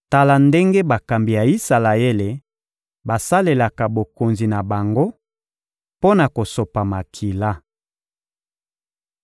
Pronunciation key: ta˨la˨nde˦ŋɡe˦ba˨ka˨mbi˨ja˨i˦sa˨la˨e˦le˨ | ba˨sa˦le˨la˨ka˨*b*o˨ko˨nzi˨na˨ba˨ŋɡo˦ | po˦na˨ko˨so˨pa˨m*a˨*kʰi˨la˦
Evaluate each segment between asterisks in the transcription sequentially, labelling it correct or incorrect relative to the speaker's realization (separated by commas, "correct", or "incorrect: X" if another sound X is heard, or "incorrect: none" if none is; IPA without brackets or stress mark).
correct, correct